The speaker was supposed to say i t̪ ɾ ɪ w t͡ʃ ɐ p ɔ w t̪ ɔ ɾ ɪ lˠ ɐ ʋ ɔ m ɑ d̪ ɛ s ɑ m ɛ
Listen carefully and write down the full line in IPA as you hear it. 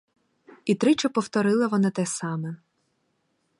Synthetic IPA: i t̪ ɾ ɪ t͡ʃ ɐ p ɔ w t̪ ɔ ɾ ɪ lˠ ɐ ʋ ɔ n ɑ t̪ ɛ s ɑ m ɛ